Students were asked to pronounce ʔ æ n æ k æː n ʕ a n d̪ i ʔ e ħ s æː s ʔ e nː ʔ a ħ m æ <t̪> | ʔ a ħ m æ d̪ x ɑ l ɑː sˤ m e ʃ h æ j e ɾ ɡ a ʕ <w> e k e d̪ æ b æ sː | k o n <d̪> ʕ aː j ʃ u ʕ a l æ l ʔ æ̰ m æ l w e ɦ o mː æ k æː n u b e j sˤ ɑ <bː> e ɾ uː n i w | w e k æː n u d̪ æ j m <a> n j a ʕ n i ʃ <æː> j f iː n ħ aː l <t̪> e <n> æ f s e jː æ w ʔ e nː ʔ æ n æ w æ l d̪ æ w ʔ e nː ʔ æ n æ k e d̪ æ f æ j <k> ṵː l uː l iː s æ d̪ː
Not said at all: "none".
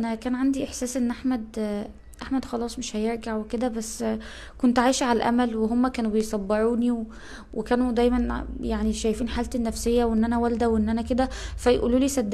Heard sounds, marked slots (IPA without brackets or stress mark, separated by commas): d̪, w, t̪, bː, æ, æ, t̪, nː, ʔ